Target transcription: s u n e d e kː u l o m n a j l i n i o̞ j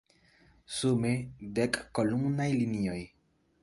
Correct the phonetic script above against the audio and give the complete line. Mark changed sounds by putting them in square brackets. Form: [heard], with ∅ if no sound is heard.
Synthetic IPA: s u [m] e d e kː [o] l [u] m n a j l i n i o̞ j